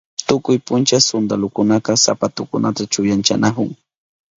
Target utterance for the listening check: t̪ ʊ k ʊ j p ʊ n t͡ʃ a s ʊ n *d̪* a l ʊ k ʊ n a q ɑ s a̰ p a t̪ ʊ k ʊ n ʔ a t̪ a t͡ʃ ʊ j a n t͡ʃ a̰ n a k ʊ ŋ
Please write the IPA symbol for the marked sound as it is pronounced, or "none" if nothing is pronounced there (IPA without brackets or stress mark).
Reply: d̪